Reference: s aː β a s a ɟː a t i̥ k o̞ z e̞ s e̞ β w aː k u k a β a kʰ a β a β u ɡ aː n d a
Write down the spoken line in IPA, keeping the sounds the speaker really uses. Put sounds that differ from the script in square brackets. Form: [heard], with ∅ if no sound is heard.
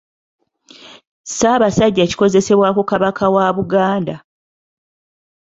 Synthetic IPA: s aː β a s a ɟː a [c] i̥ k o̞ z e̞ s e̞ β w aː k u k a β a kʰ a [w] a β u ɡ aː n d a

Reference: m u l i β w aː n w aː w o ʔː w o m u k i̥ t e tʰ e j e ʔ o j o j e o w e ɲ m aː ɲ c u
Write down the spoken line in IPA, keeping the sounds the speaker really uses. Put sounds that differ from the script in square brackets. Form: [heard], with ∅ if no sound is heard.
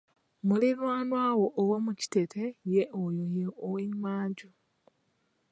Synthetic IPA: m u l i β w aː n w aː w o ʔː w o m u [c] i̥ t e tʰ e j e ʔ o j o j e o w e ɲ m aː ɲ [ɟ] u

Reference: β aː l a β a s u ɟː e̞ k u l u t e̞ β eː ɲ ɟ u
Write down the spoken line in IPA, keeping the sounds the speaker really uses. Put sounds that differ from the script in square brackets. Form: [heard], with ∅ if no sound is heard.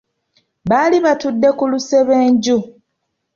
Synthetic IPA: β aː l [i] β a [t] u [dː] e̞ k u l u [s] e̞ β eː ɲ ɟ u

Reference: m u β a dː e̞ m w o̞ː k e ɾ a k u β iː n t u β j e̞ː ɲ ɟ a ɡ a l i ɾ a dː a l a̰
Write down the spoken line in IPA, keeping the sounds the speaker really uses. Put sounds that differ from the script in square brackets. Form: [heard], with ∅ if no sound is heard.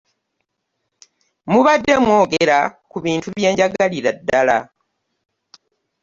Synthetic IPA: m u β a dː e̞ m w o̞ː [ɡ] e ɾ a k u β iː n t u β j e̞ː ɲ ɟ a ɡ a l i ɾ a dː a l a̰

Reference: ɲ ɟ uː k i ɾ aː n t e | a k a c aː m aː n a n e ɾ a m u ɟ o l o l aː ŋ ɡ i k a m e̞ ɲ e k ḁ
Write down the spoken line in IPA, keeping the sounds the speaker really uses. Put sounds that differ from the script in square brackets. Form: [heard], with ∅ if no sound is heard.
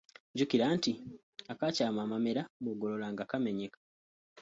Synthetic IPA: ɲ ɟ [u] k i ɾ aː n t [i] | a k a c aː m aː [m] a [m] e ɾ a m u [ɡ] o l o l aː ŋ ɡ [a] k a m e̞ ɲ e k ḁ

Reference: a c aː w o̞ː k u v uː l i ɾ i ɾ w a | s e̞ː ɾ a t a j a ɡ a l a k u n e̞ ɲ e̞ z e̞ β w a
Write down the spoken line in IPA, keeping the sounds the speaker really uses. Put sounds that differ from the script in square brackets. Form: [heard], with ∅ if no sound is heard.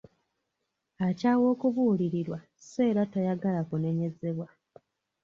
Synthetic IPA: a c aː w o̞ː k u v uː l i ɾ i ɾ w a | s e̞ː ɾ a t a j a ɡ a l a k u n e̞ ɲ e̞ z e̞ β w a

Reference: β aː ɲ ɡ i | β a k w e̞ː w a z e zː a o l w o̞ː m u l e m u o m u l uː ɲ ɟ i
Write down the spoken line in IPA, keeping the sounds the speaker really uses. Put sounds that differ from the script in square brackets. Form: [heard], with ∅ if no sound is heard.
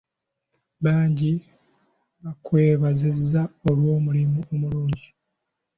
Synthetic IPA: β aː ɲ [ɟ] i | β a k w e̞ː [β] a z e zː a o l w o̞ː m u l [i] m u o m u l uː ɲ ɟ i

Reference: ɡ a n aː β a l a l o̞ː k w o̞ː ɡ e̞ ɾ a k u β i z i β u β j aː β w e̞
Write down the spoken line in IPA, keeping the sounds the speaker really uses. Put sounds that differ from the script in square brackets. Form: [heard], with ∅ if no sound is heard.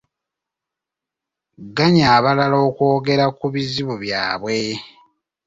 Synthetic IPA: ɡ a [ɲ] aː β a l a l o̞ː k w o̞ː ɡ e̞ ɾ a k u β i z i β u β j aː β w e̞

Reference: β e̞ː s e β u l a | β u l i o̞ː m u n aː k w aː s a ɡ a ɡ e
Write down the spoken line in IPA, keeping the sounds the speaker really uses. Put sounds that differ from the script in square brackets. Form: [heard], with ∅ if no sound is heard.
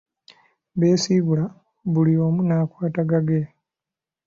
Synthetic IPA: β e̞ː s [i] β u l a | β u l i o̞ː m u n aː k w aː [t] a ɡ a ɡ e

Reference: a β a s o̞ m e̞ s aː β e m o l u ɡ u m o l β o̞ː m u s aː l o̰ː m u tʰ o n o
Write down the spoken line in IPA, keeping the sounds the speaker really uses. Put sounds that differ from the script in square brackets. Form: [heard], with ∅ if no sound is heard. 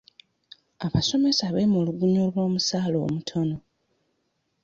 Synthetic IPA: a β a s o̞ m e̞ s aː β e m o l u ɡ u [ɲ] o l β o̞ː m u s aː l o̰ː m u tʰ o n o

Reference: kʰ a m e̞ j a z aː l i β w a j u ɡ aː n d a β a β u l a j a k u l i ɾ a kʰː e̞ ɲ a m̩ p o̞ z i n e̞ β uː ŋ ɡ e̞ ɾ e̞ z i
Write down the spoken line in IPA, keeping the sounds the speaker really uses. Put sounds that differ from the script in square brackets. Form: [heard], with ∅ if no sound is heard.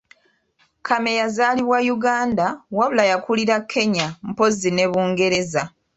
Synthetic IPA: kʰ a m e̞ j a z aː l i β w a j u ɡ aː n d a [w] a β u l a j a k u l i ɾ a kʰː e̞ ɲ a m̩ p o̞ z i n e̞ β uː ŋ ɡ e̞ ɾ e̞ z [a]

